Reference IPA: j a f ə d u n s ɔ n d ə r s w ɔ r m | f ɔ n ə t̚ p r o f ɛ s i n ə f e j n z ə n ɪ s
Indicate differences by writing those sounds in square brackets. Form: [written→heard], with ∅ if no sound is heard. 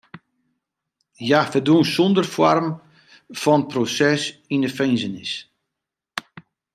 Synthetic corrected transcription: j a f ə d u n s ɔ n d ə r [s→f] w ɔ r m | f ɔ n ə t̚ p r o [f→s] ɛ s i n ə f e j n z ə n ɪ s